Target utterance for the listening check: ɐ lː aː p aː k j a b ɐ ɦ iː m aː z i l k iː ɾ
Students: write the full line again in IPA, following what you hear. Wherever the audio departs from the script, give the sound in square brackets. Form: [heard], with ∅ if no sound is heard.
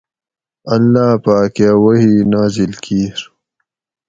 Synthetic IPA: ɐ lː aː p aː k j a [w] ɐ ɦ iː [n] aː z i l k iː ɾ